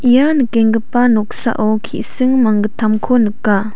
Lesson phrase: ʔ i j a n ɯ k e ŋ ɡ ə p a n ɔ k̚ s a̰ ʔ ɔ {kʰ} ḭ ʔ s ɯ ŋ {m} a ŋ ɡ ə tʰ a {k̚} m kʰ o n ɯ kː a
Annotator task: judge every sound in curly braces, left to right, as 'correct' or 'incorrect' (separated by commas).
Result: correct, correct, incorrect